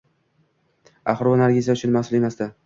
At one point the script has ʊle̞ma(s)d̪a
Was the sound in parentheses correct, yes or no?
yes